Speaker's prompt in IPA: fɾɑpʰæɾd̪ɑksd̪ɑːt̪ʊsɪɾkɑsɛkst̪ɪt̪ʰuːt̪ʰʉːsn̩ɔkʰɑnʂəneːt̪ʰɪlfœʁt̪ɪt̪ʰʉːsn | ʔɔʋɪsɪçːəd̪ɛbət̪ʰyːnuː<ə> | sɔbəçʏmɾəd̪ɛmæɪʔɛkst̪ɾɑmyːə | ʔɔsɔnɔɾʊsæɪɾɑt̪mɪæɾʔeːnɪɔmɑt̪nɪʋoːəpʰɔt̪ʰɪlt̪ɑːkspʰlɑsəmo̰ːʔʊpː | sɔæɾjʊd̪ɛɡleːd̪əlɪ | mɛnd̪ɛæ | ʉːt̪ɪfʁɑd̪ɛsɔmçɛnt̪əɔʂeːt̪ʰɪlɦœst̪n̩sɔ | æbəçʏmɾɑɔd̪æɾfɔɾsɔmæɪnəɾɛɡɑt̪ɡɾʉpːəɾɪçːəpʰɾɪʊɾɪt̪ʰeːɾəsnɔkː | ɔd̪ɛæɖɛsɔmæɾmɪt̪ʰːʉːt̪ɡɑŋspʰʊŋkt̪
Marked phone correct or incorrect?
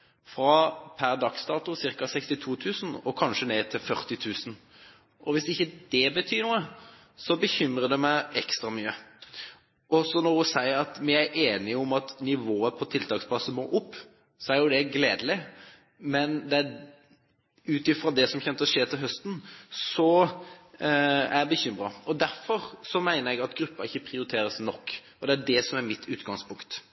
correct